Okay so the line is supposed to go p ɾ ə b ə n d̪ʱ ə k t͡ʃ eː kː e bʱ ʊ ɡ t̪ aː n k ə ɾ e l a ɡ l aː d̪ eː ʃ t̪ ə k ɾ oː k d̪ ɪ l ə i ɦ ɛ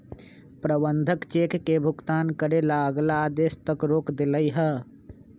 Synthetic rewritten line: p ɾ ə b ə n d̪ʱ ə k t͡ʃ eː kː e bʱ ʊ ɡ t̪ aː n k ə ɾ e l a ɡ l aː d̪ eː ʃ t̪ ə k ɾ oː k d̪ ɪ l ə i ɦ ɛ